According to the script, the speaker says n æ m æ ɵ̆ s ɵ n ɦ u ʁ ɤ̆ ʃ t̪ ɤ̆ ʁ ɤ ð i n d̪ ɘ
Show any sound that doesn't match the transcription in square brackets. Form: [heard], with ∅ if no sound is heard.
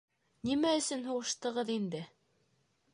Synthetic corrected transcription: n [i] m æ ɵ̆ s ɵ n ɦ u ʁ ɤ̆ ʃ t̪ ɤ̆ ʁ ɤ ð i n d̪ ɘ